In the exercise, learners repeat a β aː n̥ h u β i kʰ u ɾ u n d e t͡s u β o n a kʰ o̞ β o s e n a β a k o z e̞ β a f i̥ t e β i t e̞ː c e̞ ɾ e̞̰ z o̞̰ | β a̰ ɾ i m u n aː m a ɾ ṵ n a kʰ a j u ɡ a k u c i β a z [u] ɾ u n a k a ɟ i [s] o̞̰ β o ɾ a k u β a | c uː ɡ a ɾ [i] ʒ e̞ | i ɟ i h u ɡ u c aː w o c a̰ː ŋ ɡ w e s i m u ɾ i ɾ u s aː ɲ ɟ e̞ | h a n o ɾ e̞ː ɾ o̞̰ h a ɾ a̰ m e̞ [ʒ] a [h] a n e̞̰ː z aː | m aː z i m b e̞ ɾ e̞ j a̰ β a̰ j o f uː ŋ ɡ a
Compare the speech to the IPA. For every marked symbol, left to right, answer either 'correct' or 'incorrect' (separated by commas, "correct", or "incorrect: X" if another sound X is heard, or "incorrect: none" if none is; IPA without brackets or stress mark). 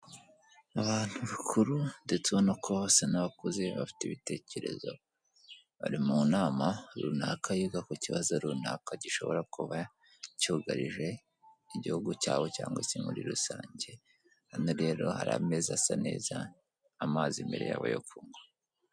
incorrect: o, incorrect: ʃ, correct, incorrect: z, incorrect: s